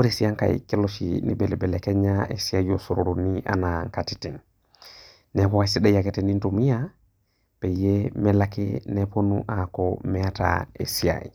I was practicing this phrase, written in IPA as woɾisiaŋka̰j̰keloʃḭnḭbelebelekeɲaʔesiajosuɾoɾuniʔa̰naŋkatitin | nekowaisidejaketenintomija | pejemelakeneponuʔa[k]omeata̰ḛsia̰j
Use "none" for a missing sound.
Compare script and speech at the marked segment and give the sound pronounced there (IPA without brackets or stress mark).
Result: k